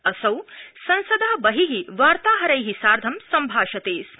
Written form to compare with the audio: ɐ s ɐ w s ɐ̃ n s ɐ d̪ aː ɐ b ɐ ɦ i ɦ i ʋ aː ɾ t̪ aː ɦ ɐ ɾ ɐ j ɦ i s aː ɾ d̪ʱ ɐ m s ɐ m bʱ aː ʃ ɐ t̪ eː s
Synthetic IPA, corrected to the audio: ɐ s ɐ w s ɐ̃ n s ɐ d̪ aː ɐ b ɐ ɦ i ɦ i ʋ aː ɾ t̪ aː ɦ ɐ ɾ ɐ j ɦ i s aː ɾ d̪ʱ ɐ m s ɐ m bʱ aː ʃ ɐ t̪ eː s